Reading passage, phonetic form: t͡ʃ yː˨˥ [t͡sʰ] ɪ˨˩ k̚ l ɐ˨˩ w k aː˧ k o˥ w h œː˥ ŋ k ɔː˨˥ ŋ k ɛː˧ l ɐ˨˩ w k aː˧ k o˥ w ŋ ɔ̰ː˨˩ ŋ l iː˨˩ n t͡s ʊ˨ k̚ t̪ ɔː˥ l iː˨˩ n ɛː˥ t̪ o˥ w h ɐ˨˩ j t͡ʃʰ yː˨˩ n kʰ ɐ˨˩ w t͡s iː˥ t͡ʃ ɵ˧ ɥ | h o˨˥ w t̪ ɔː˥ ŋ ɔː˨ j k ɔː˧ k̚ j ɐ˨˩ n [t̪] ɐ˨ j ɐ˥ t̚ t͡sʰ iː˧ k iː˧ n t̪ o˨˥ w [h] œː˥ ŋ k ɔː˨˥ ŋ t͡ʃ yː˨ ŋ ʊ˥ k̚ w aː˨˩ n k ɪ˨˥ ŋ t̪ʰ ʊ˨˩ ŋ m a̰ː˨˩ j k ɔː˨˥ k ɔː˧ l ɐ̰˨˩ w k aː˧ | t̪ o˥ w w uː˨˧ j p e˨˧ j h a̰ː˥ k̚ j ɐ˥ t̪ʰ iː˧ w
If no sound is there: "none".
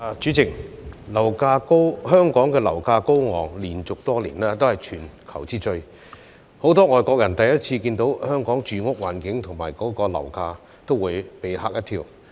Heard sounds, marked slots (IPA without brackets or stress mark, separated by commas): t͡s, t̪, h